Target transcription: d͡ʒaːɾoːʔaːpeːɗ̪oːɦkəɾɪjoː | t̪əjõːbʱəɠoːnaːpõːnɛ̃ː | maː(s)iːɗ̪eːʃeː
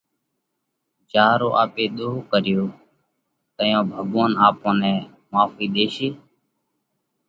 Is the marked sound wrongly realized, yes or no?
yes